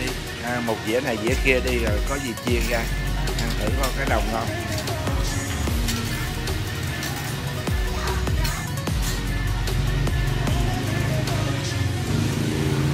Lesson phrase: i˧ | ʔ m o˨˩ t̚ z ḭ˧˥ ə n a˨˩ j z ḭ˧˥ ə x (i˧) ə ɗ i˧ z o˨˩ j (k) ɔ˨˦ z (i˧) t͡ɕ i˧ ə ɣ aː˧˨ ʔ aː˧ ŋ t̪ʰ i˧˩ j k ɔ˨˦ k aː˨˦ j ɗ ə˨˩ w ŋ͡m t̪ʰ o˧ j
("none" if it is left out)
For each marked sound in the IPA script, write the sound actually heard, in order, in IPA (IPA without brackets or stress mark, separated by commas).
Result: i˧, k, i˨˩